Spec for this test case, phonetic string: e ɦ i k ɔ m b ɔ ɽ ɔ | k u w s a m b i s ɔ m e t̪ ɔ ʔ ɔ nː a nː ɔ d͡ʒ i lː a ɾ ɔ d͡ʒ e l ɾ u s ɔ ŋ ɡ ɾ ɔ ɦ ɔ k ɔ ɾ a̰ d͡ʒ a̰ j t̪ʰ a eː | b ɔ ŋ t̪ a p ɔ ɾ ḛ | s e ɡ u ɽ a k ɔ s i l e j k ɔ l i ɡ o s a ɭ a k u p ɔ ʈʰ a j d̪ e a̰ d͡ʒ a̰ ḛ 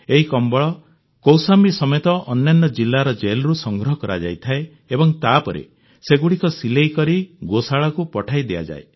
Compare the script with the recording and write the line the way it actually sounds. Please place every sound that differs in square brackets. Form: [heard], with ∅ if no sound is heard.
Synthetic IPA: e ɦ i k ɔ m b ɔ [ɭ] ɔ | k [o] w s a m b i s ɔ m e t̪ ɔ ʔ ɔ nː a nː ɔ d͡ʒ i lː a ɾ ɔ d͡ʒ e l ɾ u s ɔ ŋ ɡ ɾ ɔ ɦ ɔ k ɔ ɾ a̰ d͡ʒ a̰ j t̪ʰ a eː | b ɔ ŋ t̪ a p ɔ ɾ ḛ | s e ɡ u ɽ [i] k ɔ s i l e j k ɔ [ɾ] i ɡ o s a ɭ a k u p ɔ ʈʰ a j d̪ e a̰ d͡ʒ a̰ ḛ